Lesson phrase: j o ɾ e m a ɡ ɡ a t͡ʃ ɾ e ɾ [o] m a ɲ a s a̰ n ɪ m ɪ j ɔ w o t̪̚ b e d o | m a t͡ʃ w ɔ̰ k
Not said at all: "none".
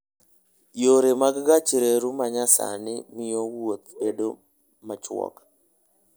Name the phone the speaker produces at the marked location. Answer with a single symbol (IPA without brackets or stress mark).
u